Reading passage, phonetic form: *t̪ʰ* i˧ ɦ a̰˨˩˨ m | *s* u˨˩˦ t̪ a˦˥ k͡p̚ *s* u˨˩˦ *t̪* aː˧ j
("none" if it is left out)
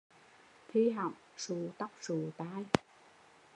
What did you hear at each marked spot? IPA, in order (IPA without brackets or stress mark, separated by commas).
t̪ʰ, s, s, t̪